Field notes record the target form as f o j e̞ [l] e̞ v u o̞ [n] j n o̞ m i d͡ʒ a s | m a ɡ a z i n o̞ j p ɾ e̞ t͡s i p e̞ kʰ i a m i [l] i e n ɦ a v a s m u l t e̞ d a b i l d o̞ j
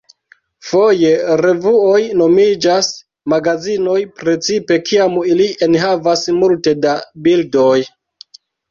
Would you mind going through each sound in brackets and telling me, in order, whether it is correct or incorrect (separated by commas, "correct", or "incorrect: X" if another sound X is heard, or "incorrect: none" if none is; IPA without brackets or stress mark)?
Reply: incorrect: ɾ, incorrect: none, correct